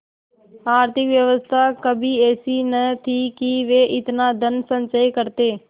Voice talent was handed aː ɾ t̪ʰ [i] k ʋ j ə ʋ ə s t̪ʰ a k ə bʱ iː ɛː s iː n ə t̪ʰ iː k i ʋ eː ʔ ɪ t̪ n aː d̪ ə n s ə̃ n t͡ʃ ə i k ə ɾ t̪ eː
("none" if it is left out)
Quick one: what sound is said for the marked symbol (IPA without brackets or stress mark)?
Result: ɪ